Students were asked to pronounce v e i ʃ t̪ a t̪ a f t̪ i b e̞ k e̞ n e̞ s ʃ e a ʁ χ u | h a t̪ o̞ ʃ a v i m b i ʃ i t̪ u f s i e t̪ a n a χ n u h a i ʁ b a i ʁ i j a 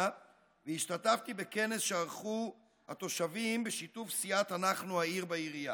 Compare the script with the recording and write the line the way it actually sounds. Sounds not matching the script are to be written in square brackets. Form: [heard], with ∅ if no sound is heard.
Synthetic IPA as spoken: v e i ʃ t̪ a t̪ a f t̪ i b e̞ k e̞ n e̞ s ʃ e a ʁ χ u | h a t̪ o̞ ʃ a v i m b [e] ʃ i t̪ u f s i [a] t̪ a n a χ n u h a i ʁ b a i ʁ i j a